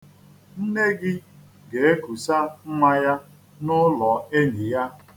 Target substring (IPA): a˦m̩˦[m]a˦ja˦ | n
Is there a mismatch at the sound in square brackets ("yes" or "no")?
no